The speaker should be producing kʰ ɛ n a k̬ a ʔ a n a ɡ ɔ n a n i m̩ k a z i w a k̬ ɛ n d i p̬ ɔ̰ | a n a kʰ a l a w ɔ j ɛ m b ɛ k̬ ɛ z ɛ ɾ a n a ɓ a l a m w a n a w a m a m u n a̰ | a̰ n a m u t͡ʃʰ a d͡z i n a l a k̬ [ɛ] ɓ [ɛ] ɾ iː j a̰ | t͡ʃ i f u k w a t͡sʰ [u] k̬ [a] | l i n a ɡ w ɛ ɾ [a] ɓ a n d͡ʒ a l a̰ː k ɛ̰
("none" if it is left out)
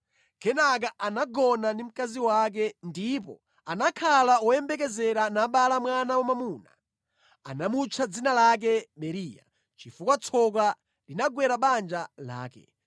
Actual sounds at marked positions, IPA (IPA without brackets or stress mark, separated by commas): ɛ, ɛ, ɔ, a, a